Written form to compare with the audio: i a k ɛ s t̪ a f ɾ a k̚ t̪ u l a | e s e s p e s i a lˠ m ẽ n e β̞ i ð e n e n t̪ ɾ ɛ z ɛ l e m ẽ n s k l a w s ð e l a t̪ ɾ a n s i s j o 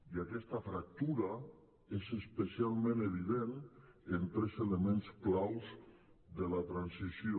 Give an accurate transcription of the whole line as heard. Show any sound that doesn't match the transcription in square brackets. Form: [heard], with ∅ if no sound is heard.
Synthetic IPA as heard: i a k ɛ s t̪ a f ɾ a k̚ t̪ u [ɾ] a | e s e s p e s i a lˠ m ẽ n e β̞ i ð e n e n t̪ ɾ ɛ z [e] l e m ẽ n s k l a w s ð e l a t̪ ɾ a n s i s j o